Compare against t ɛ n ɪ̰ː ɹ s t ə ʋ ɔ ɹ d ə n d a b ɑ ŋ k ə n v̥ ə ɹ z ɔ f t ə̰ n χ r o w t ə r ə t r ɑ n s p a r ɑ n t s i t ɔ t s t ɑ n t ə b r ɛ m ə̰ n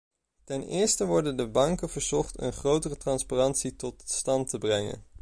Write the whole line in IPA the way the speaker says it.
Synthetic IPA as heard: t ɛ n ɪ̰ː ɹ s t ə ʋ ɔ ɹ d ə n d ə b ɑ ŋ k ə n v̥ ə ɹ z ɔ χ t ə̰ n χ r o w t ə r ə t r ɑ n s p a r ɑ n t s i t ɔ t s t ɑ n t ə b r ɛ ŋ ə̰ n